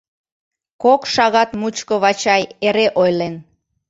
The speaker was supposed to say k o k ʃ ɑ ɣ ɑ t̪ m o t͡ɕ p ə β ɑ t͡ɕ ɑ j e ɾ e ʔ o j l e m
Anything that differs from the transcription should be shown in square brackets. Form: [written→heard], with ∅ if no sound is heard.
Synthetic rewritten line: k o k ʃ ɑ ɣ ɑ t̪ m [o→u] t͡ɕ [p→k] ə β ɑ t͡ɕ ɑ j e ɾ e ʔ o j l e [m→n]